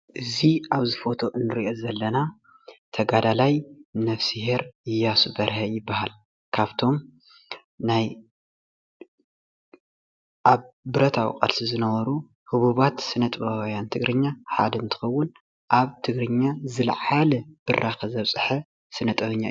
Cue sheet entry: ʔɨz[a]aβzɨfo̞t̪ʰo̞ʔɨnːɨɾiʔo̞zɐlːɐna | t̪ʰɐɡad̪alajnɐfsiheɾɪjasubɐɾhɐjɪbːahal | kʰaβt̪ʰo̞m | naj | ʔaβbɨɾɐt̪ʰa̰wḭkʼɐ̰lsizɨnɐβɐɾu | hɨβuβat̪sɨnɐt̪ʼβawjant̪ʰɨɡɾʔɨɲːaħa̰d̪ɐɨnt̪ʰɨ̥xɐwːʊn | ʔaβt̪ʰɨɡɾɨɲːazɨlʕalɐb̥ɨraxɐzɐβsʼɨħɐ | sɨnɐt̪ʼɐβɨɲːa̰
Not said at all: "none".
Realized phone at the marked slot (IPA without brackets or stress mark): i